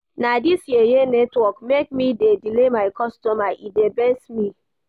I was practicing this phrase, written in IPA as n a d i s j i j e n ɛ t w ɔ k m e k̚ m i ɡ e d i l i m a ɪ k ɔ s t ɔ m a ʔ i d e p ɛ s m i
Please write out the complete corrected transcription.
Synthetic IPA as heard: n a d i s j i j e n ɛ t w ɔ k m e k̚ m i d e d i l e m a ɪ k ɔ s t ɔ m a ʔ i d e b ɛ s m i